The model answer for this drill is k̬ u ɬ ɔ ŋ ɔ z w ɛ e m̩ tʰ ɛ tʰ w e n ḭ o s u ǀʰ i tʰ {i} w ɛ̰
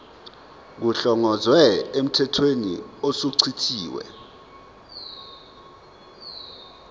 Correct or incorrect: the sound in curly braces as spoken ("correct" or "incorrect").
incorrect